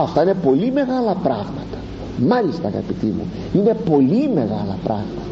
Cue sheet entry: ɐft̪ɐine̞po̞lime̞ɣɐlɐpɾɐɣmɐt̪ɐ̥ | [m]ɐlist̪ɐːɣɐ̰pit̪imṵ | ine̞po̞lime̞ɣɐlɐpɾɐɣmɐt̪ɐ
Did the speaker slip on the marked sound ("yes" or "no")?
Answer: no